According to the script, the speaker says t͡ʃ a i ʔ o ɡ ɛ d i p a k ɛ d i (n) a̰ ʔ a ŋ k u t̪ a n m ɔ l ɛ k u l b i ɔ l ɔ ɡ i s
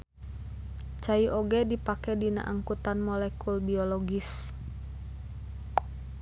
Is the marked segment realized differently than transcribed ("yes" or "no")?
no